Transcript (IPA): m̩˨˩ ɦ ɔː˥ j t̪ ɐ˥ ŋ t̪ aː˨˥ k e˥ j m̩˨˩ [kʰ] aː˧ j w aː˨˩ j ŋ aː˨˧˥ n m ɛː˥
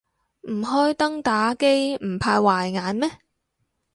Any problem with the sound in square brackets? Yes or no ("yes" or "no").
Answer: yes